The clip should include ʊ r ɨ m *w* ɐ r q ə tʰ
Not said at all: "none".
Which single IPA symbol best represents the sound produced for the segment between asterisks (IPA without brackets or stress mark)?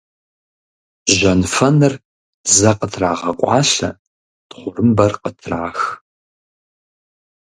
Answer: b